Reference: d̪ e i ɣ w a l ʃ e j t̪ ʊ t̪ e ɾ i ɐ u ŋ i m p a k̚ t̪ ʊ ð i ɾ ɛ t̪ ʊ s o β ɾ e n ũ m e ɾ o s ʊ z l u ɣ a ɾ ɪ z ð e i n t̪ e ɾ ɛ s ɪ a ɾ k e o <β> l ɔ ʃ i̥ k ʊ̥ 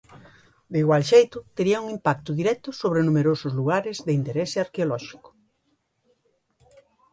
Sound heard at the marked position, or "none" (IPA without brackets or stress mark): none